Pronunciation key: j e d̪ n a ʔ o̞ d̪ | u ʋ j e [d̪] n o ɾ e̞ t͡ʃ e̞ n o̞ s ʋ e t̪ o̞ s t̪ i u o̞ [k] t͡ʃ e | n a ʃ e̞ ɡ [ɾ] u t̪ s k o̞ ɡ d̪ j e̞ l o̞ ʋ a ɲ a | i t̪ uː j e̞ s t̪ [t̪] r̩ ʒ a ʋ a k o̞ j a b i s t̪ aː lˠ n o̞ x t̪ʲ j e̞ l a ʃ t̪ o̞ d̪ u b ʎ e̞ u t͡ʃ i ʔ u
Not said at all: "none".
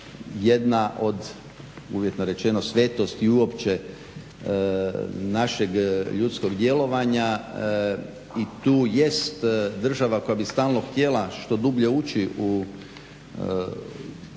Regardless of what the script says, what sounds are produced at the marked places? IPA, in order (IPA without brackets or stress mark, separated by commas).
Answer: t̪, p, ʎ, d̪